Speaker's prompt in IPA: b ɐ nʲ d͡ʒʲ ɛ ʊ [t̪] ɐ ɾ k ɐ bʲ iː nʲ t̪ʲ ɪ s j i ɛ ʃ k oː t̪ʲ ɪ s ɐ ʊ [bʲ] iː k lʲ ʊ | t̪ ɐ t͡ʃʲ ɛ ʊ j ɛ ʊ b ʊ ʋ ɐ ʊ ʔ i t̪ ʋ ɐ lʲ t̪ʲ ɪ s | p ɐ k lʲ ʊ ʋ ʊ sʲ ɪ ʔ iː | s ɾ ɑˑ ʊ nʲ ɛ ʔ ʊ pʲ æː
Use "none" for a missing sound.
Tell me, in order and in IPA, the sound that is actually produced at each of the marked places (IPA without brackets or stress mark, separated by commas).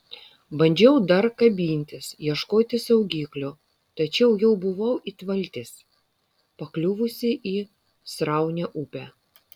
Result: d̪, ɡʲ